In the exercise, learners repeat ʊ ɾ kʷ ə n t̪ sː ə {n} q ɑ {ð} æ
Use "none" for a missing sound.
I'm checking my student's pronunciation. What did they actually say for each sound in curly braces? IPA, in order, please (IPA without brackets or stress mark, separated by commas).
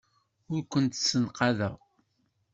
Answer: n, ð